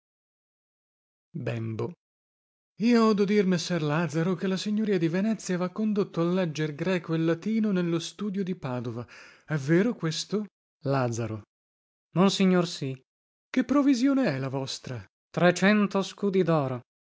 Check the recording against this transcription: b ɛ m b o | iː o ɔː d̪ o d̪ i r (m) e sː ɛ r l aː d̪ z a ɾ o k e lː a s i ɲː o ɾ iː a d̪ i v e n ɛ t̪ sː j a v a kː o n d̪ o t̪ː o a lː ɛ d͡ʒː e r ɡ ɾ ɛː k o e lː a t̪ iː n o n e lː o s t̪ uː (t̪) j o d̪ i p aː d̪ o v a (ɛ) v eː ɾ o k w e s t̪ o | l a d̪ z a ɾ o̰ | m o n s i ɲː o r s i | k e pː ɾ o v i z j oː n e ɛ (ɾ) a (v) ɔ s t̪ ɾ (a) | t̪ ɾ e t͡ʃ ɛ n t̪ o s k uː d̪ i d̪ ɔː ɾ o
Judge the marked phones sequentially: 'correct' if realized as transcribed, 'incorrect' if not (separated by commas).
correct, incorrect, correct, incorrect, correct, correct